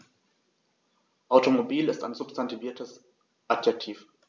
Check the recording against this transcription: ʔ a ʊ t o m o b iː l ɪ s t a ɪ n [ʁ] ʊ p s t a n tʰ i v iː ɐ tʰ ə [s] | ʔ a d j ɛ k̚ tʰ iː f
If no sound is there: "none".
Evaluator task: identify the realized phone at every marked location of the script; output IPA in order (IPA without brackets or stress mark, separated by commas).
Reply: z, s